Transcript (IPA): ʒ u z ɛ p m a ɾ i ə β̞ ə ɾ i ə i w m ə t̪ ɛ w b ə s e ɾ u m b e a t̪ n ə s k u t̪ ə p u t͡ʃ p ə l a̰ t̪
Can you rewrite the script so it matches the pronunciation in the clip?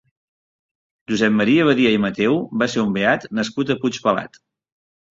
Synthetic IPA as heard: ʒ u z ɛ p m ə ɾ i ə β̞ ə ɾ i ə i m ə t̪ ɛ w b a s e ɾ u m b e a t̪ n ə s k u t̪ ə p u t͡ʃ p ə l a̰ t̪